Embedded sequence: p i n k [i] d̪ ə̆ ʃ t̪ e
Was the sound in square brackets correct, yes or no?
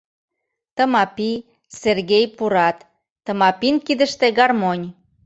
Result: yes